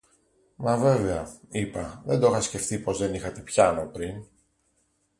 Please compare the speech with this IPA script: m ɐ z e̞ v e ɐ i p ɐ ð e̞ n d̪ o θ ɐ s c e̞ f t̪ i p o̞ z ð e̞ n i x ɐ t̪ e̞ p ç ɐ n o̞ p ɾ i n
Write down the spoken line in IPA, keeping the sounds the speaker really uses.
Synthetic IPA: m ɐ v e̞ v e ɐ i p ɐ ð e̞ n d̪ o x ɐ s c e̞ f t̪ i p o̞ z ð e̞ n i x ɐ t̪ e̞ p ç ɐ n o̞ p ɾ i n